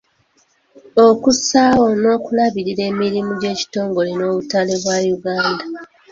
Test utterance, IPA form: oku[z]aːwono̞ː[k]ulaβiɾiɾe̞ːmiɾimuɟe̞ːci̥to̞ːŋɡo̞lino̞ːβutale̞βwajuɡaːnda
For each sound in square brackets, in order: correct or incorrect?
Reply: incorrect: s, correct

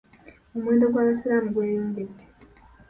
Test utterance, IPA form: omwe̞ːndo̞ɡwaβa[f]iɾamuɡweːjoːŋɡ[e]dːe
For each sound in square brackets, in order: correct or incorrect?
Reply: incorrect: s, correct

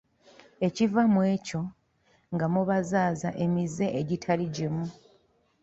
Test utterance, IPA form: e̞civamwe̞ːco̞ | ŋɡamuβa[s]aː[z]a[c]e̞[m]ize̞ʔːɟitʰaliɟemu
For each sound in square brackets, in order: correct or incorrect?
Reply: incorrect: z, correct, incorrect: ʔ, correct

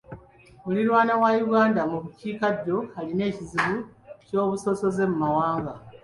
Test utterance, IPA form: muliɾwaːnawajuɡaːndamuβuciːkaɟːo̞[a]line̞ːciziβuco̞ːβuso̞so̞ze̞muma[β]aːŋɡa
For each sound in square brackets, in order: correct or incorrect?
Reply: correct, incorrect: w

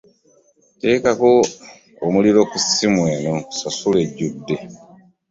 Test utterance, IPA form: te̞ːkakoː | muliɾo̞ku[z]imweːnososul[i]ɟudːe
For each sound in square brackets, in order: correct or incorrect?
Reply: incorrect: s, incorrect: e

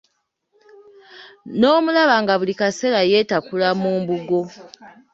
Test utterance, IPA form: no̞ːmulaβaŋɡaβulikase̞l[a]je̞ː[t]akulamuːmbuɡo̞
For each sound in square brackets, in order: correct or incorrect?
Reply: correct, correct

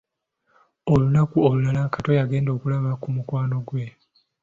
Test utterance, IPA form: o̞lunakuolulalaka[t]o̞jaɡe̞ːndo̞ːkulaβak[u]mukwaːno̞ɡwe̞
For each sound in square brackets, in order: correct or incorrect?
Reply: correct, correct

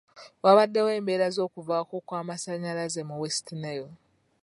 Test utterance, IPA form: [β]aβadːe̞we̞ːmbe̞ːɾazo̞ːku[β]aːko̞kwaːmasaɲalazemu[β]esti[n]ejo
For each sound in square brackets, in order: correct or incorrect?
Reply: incorrect: w, incorrect: v, incorrect: w, correct

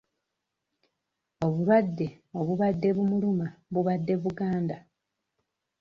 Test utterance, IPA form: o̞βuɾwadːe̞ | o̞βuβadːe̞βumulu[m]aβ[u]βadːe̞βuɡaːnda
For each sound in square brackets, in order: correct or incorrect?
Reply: correct, correct

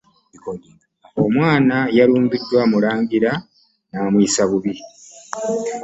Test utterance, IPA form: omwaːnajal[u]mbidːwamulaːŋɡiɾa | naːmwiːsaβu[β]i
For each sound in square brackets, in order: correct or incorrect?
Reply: incorrect: uː, correct

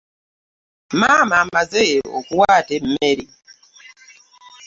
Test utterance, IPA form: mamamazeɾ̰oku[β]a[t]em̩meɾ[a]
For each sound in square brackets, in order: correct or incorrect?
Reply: incorrect: w, correct, incorrect: i

